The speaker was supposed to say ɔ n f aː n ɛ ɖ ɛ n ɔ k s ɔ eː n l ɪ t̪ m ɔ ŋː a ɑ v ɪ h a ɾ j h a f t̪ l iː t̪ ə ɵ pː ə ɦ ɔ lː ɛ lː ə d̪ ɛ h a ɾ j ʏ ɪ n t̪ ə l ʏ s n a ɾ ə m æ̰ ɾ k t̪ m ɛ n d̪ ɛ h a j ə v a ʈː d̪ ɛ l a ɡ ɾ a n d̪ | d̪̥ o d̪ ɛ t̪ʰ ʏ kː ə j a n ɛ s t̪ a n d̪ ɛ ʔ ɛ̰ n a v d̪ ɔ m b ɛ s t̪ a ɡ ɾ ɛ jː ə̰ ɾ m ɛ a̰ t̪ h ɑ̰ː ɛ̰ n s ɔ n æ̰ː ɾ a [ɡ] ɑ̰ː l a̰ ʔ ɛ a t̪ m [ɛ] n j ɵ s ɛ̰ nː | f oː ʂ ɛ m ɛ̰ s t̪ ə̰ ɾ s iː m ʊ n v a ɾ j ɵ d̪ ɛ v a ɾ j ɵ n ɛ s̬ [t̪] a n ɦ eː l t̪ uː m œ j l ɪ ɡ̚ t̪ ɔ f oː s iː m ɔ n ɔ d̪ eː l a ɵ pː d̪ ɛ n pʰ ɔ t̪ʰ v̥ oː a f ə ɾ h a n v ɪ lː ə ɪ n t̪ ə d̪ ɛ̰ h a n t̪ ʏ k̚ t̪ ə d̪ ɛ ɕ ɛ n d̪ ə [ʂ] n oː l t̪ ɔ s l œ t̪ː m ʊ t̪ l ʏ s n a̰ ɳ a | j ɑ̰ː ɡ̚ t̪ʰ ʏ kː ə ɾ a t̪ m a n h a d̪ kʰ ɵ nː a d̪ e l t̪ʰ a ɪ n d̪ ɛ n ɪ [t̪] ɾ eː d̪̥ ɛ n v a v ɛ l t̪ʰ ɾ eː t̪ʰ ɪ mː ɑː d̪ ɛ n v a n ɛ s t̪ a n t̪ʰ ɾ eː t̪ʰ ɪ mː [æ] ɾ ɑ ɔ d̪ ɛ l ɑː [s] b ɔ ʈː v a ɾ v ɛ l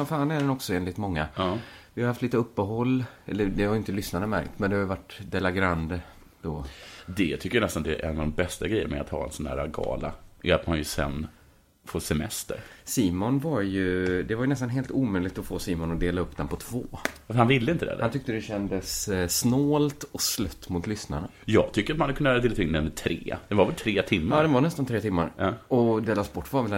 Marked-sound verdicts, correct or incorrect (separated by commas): correct, incorrect, correct, incorrect, incorrect, incorrect, correct